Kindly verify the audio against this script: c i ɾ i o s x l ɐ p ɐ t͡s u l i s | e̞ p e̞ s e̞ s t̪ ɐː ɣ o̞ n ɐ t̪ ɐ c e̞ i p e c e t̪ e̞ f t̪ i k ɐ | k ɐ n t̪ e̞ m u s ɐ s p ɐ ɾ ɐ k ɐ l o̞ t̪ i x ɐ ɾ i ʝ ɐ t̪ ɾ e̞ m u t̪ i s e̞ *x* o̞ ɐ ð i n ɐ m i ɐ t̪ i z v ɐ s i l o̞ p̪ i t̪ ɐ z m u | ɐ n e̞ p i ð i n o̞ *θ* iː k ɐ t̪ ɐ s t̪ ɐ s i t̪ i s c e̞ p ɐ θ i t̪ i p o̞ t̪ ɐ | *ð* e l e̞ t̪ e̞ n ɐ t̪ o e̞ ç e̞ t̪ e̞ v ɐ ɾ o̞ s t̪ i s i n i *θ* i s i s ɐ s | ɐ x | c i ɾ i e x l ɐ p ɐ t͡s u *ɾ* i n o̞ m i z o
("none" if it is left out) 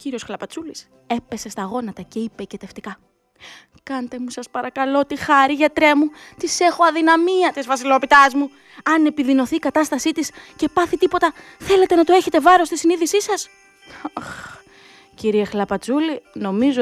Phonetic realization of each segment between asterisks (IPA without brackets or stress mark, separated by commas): x, θ, θ, ð, l